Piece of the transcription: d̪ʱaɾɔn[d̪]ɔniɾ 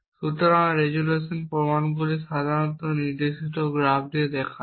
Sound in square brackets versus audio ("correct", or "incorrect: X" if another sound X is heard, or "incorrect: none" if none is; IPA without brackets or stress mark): incorrect: t̪